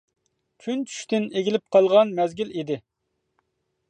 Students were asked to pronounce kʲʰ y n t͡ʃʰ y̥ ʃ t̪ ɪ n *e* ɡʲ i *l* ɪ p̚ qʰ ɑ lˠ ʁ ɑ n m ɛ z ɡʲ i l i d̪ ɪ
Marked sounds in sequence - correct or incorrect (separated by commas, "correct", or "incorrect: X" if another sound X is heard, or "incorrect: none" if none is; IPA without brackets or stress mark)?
correct, correct